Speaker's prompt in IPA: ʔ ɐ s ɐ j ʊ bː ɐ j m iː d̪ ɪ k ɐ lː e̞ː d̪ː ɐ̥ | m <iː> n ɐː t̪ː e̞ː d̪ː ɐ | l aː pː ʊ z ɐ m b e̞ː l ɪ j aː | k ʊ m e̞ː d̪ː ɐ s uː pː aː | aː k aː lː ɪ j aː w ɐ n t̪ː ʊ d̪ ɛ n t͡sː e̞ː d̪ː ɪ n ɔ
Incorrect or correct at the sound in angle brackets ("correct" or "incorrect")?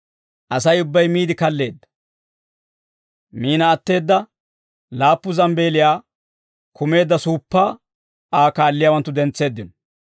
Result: correct